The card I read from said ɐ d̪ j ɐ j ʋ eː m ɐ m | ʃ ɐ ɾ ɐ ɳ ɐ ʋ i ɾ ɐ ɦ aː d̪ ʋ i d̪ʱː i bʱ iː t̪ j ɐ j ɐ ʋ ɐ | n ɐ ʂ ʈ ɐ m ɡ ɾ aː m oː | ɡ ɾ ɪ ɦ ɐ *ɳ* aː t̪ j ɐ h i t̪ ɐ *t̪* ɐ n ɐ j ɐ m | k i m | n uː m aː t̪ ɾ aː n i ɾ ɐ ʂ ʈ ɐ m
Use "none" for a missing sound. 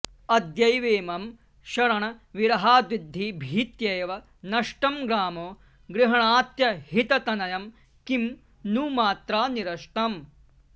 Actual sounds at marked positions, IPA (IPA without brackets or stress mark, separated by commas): ɳ, t̪